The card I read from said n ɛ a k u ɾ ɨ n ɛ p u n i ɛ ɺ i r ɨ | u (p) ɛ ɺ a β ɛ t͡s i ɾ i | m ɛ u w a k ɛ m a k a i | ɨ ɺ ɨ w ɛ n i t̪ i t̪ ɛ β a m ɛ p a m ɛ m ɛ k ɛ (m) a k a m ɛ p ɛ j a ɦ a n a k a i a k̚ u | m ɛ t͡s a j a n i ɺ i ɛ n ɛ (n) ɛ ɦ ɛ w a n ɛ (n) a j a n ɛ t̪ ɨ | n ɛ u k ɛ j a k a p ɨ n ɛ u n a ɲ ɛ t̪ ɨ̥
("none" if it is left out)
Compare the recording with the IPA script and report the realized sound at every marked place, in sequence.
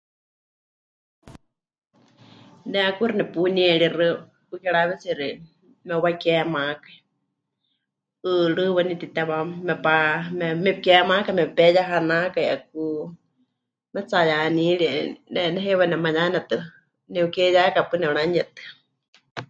k, m, n, m

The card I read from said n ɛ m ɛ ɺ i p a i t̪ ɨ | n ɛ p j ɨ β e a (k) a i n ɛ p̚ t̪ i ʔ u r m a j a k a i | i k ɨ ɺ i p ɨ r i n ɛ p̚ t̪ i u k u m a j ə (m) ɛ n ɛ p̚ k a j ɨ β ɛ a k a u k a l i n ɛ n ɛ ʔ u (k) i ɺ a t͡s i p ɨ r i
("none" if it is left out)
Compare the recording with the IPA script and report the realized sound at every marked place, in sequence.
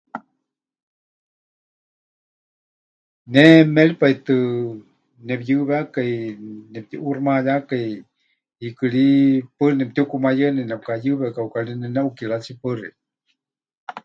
k, n, k

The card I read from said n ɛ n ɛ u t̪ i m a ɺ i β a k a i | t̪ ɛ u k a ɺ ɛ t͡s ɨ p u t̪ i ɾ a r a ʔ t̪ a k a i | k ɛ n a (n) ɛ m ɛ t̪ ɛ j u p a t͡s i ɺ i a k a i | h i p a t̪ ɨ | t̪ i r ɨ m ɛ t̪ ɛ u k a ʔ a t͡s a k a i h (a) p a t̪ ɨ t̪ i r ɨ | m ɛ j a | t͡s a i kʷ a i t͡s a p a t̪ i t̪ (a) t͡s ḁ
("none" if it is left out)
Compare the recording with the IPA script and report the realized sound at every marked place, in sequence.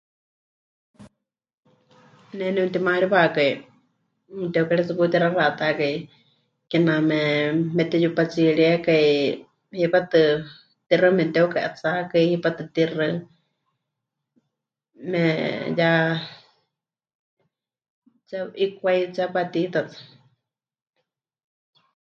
m, i, a

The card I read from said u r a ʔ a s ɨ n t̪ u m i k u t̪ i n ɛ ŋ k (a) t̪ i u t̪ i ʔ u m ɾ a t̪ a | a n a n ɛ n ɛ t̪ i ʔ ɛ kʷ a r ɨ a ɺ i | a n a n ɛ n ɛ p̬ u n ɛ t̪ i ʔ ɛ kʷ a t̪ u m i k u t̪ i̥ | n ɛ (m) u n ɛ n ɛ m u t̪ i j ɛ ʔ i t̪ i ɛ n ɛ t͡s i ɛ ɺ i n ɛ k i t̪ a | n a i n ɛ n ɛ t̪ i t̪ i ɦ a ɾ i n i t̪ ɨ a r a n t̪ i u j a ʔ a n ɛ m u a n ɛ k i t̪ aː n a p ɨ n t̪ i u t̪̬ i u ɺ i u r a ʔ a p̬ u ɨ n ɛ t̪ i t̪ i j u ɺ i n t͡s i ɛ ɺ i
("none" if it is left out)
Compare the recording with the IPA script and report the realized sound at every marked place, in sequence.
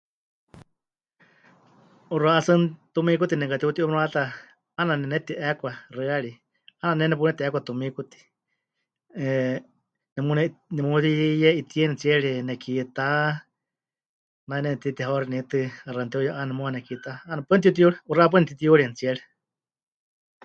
a, m

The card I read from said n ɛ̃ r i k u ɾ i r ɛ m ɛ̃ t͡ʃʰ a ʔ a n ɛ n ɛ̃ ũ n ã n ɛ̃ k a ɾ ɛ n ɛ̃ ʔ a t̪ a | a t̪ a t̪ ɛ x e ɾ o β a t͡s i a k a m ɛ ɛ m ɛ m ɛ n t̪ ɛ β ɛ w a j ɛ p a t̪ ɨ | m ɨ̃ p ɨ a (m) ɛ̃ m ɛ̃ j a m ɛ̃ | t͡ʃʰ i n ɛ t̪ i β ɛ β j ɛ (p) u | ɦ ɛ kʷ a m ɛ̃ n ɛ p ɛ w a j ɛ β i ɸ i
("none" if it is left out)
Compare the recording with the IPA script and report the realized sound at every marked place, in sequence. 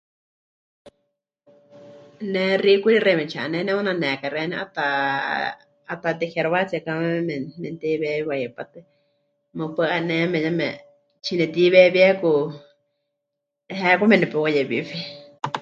n, k

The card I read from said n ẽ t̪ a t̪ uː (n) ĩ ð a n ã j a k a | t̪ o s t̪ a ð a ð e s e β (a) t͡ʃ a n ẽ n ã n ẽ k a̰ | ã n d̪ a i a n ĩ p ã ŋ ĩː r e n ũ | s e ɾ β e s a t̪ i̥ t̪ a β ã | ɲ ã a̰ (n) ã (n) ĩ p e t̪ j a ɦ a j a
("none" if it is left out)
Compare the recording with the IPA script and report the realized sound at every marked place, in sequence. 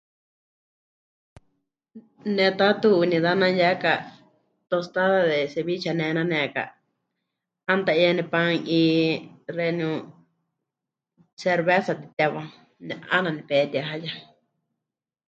n, i, n, n

